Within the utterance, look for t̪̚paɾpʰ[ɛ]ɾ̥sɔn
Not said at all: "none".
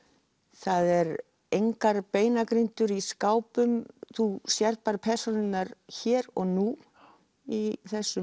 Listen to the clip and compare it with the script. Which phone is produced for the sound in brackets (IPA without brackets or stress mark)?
ɛ